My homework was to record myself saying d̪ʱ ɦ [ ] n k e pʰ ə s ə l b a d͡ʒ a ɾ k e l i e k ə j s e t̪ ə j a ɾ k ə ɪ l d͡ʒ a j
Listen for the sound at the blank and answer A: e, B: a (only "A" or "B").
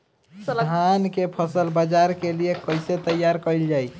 B